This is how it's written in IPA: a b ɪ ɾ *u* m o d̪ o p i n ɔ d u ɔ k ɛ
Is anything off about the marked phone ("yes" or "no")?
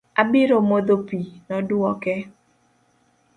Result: yes